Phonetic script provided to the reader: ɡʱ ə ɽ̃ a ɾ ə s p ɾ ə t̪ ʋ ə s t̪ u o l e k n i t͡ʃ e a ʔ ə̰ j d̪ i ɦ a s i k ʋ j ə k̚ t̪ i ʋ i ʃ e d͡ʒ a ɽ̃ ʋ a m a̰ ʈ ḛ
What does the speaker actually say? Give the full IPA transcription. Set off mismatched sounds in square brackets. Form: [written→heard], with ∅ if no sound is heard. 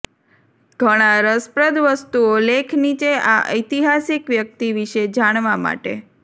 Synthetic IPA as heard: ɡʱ ə ɽ̃ a ɾ ə s p ɾ ə [t̪→d̪] ʋ ə s t̪ u o l e [k→kʰ] n i t͡ʃ e a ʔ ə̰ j [d̪→t̪] i ɦ a s i k ʋ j ə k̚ t̪ i ʋ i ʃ e d͡ʒ a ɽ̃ ʋ a m a̰ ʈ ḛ